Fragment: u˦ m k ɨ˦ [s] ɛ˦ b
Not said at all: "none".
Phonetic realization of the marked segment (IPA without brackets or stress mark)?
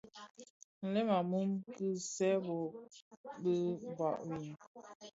s